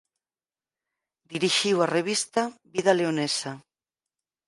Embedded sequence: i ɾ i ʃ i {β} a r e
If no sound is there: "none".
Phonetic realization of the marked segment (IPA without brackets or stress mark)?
w